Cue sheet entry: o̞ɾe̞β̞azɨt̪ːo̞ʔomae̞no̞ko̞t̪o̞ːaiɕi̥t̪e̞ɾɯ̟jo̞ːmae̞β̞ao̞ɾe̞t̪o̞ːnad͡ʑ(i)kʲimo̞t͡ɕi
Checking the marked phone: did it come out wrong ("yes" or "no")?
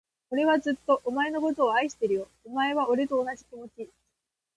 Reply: no